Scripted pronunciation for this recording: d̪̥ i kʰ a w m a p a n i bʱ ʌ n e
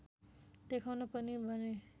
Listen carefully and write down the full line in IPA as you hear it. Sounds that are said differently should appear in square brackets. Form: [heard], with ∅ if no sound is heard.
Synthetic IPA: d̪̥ [e] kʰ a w [n] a p [ʌ] n i bʱ ʌ n e